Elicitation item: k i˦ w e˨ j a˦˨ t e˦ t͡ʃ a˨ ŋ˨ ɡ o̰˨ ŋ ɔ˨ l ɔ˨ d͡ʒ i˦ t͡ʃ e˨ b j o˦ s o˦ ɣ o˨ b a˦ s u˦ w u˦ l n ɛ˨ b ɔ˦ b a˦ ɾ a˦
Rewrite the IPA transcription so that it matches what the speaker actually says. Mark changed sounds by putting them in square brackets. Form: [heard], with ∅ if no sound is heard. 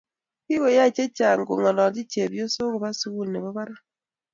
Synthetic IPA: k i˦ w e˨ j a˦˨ [t͡ʃ] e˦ t͡ʃ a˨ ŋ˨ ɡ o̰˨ ŋ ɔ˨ l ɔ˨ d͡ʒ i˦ t͡ʃ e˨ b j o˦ s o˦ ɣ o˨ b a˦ s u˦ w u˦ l n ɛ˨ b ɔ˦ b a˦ ɾ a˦